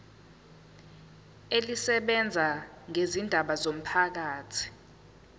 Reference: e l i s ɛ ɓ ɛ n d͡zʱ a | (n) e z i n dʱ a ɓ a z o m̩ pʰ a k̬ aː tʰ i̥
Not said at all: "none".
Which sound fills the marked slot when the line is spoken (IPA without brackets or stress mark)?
ŋ